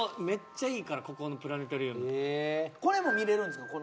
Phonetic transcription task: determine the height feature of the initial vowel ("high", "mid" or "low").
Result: mid